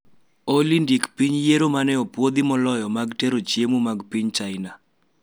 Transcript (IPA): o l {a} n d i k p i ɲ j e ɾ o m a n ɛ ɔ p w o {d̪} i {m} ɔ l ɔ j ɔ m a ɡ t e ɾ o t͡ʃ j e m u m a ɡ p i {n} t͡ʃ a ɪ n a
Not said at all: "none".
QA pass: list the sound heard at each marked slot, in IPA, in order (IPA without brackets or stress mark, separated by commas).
i, d̪, m, ɲ